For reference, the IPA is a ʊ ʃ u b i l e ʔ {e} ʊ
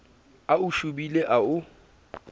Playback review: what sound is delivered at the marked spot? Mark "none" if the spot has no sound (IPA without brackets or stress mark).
a